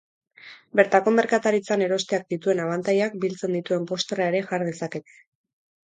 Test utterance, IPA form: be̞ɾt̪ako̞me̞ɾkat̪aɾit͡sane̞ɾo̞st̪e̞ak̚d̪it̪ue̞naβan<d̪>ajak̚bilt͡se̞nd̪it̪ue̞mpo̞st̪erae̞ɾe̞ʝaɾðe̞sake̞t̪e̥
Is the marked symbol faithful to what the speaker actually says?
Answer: no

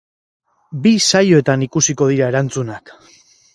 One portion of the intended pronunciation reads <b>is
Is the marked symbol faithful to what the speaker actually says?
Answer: yes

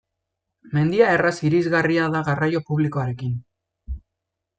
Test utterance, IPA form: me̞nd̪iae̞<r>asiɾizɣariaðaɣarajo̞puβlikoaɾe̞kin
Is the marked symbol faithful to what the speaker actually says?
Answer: yes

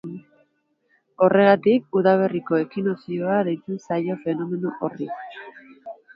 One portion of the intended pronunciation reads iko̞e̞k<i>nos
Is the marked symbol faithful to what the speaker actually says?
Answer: yes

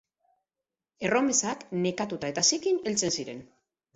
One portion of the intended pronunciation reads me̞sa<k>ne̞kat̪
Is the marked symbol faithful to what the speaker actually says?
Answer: yes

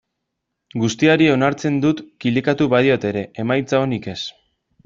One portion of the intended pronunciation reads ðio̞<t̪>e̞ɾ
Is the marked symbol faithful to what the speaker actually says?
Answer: yes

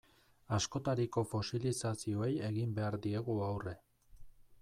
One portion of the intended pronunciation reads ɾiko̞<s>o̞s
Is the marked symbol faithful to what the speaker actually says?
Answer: no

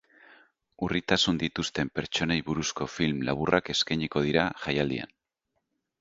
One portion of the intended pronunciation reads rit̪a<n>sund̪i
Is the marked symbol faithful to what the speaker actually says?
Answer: no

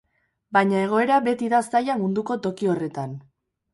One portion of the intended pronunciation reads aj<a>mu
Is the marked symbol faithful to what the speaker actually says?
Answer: yes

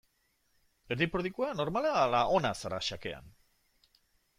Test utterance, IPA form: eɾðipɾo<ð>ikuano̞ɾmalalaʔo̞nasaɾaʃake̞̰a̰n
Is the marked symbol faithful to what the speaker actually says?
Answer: yes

